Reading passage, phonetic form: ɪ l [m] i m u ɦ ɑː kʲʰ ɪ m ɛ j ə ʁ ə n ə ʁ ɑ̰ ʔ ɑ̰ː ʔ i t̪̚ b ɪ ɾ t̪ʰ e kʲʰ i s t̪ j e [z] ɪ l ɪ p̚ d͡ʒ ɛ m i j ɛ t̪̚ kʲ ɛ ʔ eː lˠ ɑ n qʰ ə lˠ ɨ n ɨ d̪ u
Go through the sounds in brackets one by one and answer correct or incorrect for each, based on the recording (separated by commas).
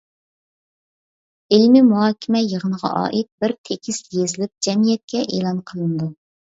correct, correct